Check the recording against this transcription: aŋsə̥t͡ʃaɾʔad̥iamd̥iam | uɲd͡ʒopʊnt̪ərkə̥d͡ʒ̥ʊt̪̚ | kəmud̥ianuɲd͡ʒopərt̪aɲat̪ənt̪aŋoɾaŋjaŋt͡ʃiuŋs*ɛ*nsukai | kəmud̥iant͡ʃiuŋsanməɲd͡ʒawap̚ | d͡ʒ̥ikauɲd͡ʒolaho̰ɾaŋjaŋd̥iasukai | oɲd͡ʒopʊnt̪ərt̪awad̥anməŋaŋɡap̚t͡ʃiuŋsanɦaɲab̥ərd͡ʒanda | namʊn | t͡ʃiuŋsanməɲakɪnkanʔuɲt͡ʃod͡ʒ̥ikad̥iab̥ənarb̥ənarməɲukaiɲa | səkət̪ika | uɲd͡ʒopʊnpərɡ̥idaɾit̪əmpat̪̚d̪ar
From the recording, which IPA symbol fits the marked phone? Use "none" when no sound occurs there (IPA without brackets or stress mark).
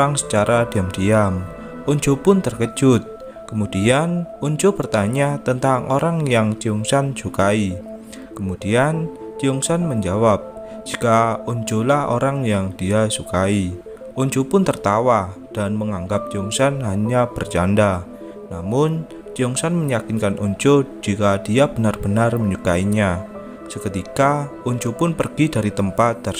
a